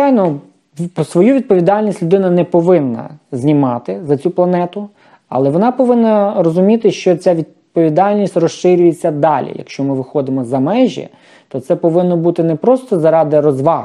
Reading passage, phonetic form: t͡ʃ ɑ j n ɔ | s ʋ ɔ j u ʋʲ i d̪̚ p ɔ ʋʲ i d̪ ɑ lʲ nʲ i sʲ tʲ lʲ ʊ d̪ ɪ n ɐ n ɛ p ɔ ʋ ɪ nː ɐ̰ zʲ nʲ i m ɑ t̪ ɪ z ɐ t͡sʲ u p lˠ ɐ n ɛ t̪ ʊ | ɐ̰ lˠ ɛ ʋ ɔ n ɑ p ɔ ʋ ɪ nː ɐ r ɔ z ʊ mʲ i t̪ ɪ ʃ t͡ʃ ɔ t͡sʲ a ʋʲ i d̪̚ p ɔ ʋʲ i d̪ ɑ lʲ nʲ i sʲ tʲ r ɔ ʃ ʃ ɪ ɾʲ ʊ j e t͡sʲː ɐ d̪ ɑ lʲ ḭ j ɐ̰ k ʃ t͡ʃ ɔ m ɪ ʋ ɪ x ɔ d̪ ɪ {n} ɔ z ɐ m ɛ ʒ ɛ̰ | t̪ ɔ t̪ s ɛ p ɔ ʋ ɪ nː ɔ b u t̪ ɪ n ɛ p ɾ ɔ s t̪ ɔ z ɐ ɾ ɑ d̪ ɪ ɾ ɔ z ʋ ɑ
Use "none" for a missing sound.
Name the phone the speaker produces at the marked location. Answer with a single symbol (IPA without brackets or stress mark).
m